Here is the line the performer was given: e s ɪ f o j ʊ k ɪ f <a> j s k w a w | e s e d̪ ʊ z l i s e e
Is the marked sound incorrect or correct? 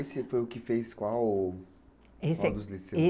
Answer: incorrect